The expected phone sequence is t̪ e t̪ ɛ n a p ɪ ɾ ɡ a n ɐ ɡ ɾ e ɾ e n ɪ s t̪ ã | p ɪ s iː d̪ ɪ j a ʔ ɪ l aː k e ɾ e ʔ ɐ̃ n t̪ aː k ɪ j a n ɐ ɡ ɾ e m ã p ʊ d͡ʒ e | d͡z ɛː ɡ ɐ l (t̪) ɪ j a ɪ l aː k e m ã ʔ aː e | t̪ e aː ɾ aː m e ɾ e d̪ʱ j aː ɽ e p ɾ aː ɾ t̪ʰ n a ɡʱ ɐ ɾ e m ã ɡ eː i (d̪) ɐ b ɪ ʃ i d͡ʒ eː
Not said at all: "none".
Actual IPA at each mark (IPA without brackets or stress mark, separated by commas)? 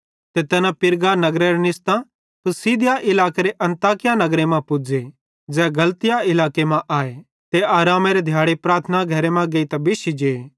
t̪, t̪